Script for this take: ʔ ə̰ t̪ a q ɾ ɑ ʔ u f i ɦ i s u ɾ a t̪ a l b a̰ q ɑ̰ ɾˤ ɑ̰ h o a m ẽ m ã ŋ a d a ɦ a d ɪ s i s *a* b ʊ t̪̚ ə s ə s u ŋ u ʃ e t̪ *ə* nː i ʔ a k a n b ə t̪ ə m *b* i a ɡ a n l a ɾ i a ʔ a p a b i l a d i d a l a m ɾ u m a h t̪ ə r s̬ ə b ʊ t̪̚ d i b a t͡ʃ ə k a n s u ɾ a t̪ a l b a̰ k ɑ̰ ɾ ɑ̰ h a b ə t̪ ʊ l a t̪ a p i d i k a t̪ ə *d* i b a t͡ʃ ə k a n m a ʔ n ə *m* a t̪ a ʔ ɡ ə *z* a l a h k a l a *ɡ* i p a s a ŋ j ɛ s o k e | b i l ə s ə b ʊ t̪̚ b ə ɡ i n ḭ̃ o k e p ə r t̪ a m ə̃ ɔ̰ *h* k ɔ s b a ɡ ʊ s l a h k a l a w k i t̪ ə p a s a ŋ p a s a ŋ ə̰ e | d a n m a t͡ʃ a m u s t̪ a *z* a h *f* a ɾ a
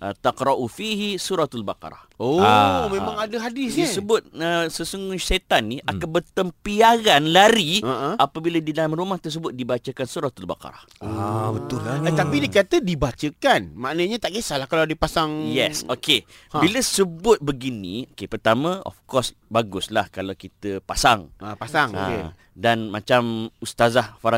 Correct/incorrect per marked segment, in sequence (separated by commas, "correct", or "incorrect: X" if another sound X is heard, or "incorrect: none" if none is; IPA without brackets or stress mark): incorrect: ə, incorrect: a, incorrect: p, correct, incorrect: ɲ, incorrect: s, incorrect: d, incorrect: f, correct, correct